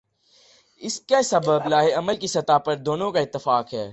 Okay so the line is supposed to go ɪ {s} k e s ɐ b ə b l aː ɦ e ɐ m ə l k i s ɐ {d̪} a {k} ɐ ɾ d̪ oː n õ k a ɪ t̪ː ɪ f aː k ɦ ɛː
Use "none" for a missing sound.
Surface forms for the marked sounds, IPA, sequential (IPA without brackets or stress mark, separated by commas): s, t̪, p